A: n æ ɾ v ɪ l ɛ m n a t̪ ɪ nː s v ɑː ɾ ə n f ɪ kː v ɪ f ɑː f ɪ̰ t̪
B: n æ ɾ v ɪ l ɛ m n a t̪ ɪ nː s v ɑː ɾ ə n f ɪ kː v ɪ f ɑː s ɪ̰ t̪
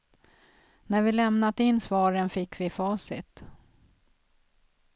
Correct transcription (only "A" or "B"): B